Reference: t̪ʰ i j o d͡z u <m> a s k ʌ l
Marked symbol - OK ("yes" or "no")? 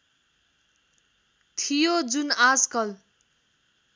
no